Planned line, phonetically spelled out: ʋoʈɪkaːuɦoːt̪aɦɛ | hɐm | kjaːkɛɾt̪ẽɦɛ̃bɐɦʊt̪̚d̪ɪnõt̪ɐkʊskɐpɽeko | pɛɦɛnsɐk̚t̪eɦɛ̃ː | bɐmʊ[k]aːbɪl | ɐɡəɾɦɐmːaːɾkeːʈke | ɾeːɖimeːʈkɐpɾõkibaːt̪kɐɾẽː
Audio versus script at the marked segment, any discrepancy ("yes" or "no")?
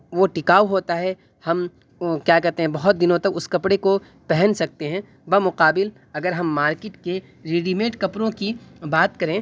yes